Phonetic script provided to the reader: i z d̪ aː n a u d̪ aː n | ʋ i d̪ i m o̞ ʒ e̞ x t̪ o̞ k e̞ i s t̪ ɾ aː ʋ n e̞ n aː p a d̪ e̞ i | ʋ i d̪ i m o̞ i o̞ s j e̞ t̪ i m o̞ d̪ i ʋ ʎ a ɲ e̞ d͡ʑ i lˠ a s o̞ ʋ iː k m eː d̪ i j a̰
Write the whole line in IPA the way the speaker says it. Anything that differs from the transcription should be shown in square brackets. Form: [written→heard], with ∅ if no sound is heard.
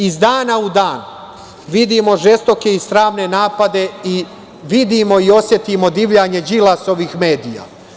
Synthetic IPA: i z d̪ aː n a u d̪ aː n | ʋ i d̪ i m o̞ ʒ e̞ [x→s] t̪ o̞ k e̞ i s t̪ ɾ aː ʋ n e̞ n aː p a d̪ e̞ i | ʋ i d̪ i m o̞ i o̞ s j e̞ t̪ i m o̞ d̪ i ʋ ʎ a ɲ e̞ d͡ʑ i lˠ a s o̞ ʋ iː [k→x] m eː d̪ i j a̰